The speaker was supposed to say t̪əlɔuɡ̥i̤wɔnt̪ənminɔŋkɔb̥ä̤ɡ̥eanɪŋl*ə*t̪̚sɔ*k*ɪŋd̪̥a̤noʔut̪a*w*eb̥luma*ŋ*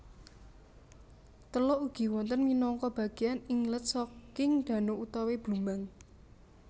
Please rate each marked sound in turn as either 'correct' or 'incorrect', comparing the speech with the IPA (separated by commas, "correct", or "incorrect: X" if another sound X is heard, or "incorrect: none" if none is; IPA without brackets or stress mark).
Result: correct, correct, correct, correct